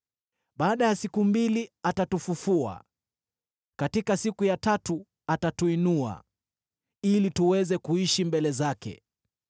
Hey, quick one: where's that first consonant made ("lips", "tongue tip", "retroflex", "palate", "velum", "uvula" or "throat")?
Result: lips